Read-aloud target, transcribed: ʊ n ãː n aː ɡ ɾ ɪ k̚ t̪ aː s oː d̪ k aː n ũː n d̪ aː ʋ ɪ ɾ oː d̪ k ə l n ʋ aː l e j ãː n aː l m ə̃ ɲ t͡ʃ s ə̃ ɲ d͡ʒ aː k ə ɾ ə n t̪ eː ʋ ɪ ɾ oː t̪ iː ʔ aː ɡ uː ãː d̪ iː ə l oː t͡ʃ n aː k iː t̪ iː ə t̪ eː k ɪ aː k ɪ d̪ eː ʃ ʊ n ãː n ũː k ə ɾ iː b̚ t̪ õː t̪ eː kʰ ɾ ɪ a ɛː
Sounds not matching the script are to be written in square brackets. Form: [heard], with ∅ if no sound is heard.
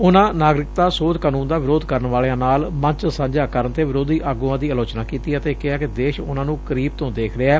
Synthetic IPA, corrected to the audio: ʊ n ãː n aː ɡ ɾ ɪ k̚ t̪ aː s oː d̪ k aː n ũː n d̪ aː ʋ ɪ ɾ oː d̪ k ə [ɾ] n ʋ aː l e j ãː n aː l m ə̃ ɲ t͡ʃ s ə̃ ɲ d͡ʒ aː k ə ɾ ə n t̪ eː ʋ ɪ ɾ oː [d̪] iː ʔ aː ɡ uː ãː d̪ iː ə l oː t͡ʃ n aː k iː t̪ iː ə t̪ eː k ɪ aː k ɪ d̪ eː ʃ ʊ n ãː n ũː k ə ɾ iː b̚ t̪ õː [d̪] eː kʰ ɾ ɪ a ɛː